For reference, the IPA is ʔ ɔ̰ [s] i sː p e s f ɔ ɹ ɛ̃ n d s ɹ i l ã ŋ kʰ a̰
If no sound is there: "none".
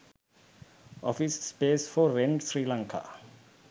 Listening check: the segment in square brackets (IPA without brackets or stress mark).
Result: f